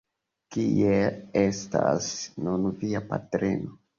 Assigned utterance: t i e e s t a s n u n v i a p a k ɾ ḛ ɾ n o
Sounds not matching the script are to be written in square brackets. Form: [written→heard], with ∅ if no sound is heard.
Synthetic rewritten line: [t→k] i e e s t a s n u n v i a p a [k→t] ɾ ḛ [ɾ→∅] n o

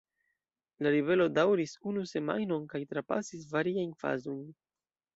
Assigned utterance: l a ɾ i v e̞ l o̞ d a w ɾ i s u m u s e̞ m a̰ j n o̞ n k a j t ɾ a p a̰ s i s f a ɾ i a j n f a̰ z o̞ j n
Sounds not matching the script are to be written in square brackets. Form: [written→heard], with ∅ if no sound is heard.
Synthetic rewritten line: l a ɾ i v e̞ l o̞ d a w ɾ i s u [m→n] u s e̞ m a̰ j n o̞ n k a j t ɾ a p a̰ s i s [f→v] a ɾ i a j n f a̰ z o̞ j n

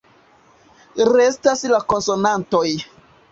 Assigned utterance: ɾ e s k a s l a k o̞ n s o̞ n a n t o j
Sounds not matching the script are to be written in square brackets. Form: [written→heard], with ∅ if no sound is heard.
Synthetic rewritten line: ɾ e s [k→t] a s l a k o̞ n s o̞ n a n t o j

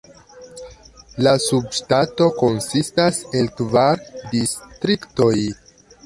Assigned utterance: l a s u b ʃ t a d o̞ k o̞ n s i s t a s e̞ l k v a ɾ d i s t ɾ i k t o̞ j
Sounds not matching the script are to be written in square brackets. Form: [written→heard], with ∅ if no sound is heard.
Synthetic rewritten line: l a s u b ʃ t a [d→t] o̞ k o̞ n s i s t a s e̞ l k v a ɾ d i s t ɾ i k t o̞ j

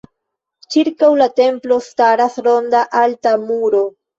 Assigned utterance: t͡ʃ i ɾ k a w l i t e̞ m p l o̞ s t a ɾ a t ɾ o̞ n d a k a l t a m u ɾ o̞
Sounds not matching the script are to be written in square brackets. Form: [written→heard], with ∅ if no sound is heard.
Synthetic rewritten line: t͡ʃ i ɾ k a w l [i→a] t e̞ m p l o̞ s t a ɾ a [t→s] ɾ o̞ n d a [k→ʔ] a l t a m u ɾ o̞

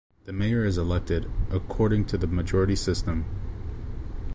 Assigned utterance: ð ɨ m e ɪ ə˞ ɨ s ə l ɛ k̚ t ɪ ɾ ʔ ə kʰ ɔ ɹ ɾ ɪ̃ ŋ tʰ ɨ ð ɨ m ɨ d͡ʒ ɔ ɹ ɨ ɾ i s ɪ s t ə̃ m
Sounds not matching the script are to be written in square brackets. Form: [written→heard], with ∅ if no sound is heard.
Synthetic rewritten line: ð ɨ m e ɪ ə˞ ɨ [s→z] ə l ɛ k̚ t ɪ ɾ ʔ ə kʰ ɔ ɹ ɾ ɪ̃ ŋ tʰ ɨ ð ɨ m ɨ d͡ʒ ɔ ɹ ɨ ɾ i s ɪ s t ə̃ m

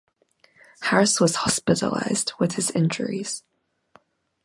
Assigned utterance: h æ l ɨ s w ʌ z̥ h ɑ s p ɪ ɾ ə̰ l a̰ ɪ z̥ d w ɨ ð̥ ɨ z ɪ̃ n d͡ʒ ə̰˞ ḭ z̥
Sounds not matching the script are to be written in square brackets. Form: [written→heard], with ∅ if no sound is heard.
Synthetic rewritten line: h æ [l→ɹ] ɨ s w ʌ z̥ h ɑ s p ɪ ɾ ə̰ l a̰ ɪ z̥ d w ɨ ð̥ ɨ z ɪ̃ n d͡ʒ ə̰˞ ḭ z̥

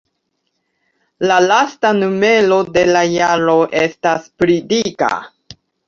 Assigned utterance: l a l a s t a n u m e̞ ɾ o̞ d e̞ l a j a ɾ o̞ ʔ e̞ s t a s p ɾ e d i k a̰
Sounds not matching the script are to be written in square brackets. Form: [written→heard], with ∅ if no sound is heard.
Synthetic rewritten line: l a l a s t a n u m e̞ [ɾ→l] o̞ d e̞ l a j a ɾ o̞ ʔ e̞ s t a s p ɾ [e→i] d i k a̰

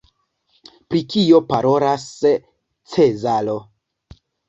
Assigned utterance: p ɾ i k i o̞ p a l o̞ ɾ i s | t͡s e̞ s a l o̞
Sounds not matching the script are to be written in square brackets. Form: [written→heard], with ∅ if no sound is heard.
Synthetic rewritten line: p ɾ i k i o̞ p a [l→ɾ] o̞ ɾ [i→a] s | t͡s e̞ [s→z] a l o̞

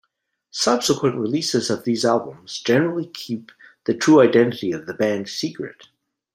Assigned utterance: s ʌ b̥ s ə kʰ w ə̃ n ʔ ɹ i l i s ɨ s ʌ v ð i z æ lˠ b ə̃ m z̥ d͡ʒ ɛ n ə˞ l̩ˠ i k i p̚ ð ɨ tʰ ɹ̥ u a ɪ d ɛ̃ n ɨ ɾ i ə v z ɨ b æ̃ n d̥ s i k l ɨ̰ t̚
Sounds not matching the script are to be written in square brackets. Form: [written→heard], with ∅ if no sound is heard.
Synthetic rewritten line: s ʌ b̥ s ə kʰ w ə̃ n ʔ ɹ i l i s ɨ [s→z] ʌ v ð i z æ lˠ b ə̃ m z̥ d͡ʒ ɛ n ə˞ l̩ˠ i [k→kʰ] i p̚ ð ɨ tʰ ɹ̥ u a ɪ d ɛ̃ n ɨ ɾ i [ə→ʌ] v [z→ð] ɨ b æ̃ n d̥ s i k [l→ɹ] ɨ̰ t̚

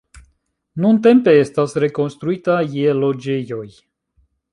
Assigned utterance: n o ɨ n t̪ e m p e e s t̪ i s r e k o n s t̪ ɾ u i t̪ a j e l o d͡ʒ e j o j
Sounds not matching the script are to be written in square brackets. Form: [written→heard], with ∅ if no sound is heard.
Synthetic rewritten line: n [o→u] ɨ n t̪ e m p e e s t̪ [i→a] s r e k o n s t̪ ɾ u i t̪ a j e l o d͡ʒ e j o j

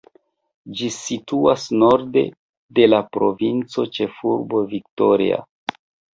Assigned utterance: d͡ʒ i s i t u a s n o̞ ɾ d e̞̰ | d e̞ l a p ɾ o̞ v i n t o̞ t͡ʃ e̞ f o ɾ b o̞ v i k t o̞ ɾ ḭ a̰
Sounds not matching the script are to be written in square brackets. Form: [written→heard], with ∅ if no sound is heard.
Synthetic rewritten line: d͡ʒ i s i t u a s n o̞ ɾ d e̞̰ | d e̞ l a p ɾ o̞ v i n [t→t͡s] o̞ t͡ʃ e̞ f [o→u] ɾ b o̞ v i k t o̞ ɾ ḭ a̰

